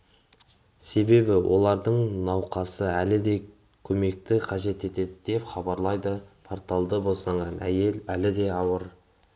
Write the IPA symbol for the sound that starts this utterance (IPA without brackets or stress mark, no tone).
s